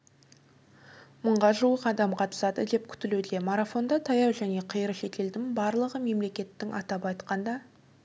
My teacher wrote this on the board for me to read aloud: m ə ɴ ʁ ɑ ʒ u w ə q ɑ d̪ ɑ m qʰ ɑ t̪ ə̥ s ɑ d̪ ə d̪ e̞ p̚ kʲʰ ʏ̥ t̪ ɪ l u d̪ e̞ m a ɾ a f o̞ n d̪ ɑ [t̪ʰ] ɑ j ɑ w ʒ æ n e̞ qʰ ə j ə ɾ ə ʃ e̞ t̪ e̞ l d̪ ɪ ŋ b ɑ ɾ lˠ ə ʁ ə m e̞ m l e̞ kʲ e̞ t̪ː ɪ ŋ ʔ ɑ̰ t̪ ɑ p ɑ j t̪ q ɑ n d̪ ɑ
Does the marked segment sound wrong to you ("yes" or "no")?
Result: no